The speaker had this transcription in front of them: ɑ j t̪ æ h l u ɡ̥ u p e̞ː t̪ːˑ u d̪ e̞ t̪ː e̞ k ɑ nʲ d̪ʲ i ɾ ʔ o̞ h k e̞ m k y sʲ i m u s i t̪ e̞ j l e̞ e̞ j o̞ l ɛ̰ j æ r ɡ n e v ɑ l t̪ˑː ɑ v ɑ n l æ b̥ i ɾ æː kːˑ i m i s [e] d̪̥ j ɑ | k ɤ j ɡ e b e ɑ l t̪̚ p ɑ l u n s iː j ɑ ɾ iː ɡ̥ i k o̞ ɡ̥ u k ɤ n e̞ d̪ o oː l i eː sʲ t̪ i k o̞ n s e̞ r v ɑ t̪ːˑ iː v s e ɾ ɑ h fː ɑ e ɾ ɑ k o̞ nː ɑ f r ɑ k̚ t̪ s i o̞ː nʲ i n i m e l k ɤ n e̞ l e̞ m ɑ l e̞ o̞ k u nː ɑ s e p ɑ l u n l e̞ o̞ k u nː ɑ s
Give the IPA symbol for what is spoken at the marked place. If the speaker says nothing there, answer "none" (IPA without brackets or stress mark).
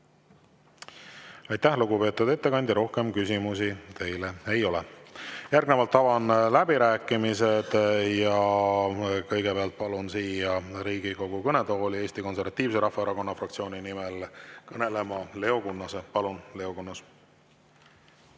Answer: e